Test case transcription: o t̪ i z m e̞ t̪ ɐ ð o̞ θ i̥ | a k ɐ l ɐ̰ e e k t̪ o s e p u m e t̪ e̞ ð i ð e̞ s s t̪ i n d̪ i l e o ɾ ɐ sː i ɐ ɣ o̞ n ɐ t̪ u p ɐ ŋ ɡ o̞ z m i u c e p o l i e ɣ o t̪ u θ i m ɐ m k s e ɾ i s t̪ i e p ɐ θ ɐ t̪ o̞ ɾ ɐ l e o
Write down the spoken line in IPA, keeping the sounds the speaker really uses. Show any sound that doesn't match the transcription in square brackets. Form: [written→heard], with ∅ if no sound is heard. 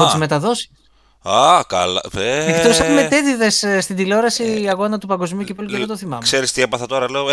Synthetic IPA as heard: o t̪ i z m e̞ t̪ ɐ ð o̞ [θ→s] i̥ | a k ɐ l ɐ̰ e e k t̪ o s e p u m e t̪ e̞ ð i ð e̞ s s t̪ i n d̪ i l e o ɾ ɐ [sː→s] i ɐ ɣ o̞ n ɐ t̪ u p ɐ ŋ ɡ o̞ z m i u c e p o l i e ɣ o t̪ [u→o] θ i m ɐ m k s e ɾ i s t̪ i e p ɐ θ ɐ t̪ o̞ ɾ ɐ l e o